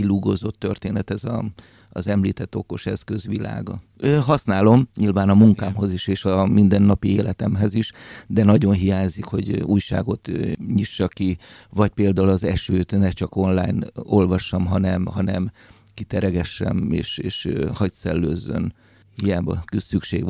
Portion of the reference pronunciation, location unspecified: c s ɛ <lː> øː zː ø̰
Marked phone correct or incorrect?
correct